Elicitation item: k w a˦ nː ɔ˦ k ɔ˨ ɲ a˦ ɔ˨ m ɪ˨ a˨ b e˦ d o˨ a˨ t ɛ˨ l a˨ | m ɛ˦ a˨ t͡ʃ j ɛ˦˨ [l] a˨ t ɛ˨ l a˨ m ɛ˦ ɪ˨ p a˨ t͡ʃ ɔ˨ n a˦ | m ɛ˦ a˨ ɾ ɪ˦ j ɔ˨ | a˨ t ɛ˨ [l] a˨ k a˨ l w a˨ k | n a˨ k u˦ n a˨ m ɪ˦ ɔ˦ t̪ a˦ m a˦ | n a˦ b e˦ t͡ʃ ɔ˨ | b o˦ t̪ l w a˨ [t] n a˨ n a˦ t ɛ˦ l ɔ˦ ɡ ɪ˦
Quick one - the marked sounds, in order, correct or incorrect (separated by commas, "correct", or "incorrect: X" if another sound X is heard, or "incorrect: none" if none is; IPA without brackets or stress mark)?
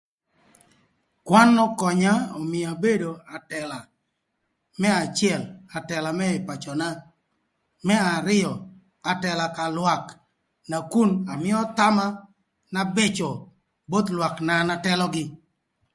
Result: correct, correct, incorrect: k